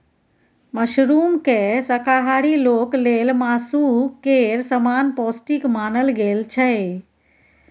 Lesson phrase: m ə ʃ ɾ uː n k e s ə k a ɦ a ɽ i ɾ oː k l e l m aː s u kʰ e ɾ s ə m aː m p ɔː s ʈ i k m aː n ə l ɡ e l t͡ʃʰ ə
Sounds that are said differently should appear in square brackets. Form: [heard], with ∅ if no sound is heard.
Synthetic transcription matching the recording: m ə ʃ ɾ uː [m] k e s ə k a ɦ a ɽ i [l] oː k l e l m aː s u [k] e ɾ s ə m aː [n] p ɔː s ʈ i k m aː n ə l ɡ e l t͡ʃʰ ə

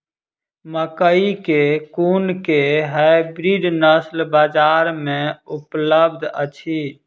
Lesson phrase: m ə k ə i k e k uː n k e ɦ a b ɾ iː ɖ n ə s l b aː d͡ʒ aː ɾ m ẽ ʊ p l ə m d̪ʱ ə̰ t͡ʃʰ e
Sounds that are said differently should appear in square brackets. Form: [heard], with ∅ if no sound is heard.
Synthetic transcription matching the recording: m ə k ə i k e k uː n k e ɦ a b ɾ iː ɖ n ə s l b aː d͡ʒ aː ɾ m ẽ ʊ p l ə [b] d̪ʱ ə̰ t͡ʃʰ [i]

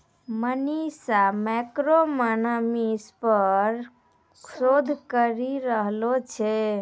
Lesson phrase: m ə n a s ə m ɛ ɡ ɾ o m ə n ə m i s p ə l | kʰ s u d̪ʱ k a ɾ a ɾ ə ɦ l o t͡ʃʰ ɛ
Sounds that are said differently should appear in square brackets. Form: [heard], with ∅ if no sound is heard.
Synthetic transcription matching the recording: m ə n [i] s [a] m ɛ [k] ɾ o m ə n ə m i s p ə [ɾ] | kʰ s [o] d̪ʱ k [ə] ɾ [i] ɾ ə ɦ l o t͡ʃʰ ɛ

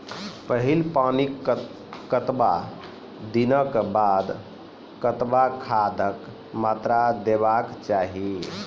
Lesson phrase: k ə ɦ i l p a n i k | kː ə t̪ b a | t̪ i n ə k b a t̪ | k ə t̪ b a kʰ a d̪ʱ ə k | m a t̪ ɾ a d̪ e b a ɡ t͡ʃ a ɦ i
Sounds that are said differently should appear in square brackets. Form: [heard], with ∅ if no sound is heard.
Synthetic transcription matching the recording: [p] ə ɦ i l p a n i k | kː ə t̪ b a | [d̪] i n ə k b a [d̪] | k ə t̪ b a kʰ a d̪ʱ ə k | m a t̪ ɾ a d̪ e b a [k] t͡ʃ a ɦ i

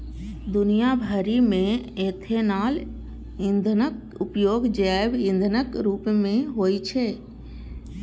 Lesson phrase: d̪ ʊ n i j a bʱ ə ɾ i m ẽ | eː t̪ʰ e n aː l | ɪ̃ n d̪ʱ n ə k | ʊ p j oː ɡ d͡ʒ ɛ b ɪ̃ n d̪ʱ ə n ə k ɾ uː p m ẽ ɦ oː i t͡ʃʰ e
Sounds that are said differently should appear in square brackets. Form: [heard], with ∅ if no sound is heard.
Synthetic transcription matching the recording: d̪ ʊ n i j a bʱ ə ɾ i m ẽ | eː t̪ʰ e n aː l | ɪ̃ n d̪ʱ n ə k | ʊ p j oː ɡ d͡ʒ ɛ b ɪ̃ n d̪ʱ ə n ə k ɾ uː p m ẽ ɦ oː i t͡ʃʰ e

